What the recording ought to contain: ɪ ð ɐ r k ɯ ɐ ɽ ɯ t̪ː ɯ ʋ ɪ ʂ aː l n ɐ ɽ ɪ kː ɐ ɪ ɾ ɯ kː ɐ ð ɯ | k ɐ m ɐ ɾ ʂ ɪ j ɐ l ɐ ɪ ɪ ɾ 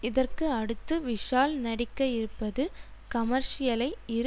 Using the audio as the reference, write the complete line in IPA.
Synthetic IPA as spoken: ɪ ð ɐ r k ɯ ɐ ɽ ɯ t̪ː ɯ ʋ ɪ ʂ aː l n ɐ ɽ ɪ kː ɐ ɪ ɾ ɯ pː ɐ ð ɯ | k ɐ m ɐ ɾ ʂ ɪ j ɐ l ɐ ɪ ɪ ɾ